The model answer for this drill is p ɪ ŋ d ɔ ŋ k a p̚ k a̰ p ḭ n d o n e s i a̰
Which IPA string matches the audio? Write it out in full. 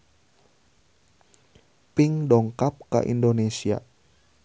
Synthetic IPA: p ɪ ŋ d ɔ ŋ k a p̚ k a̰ ʔ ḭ n d o n e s i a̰